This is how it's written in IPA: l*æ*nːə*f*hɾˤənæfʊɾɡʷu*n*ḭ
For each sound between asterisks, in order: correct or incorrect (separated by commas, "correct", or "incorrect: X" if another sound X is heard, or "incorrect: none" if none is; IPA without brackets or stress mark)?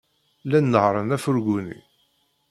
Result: correct, incorrect: none, correct